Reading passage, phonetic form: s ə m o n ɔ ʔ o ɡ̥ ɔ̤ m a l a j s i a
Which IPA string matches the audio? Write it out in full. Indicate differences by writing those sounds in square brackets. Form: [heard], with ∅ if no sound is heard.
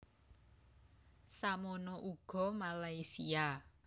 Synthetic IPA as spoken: s [a] m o n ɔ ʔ [u] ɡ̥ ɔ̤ m a l a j s i a